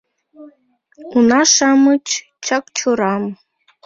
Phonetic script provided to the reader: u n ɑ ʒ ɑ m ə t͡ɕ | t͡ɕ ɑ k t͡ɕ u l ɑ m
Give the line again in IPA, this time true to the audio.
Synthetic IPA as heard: u n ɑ ʃ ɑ m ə t͡ɕ | t͡ɕ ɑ k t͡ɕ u ɾ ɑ m